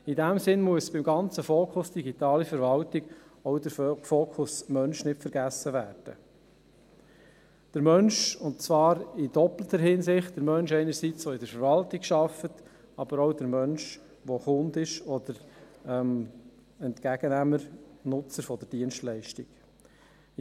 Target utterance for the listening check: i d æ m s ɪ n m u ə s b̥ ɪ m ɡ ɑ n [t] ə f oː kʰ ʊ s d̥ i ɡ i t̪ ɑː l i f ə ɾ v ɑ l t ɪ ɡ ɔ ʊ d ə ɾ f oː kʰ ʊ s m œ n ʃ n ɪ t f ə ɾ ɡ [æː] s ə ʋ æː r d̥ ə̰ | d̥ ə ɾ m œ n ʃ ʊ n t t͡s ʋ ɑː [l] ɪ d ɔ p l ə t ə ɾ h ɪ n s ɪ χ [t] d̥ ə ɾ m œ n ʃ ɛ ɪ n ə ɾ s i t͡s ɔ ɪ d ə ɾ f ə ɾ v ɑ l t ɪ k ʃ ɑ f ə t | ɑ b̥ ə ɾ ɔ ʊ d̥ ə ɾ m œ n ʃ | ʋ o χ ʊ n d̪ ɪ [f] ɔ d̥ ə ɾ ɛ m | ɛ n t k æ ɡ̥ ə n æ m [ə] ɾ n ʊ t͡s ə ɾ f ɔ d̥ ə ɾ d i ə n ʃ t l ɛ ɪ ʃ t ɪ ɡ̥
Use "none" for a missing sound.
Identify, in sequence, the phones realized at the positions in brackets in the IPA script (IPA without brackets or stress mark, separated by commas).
t͡s, æ, ɾ, t, ʃ, ə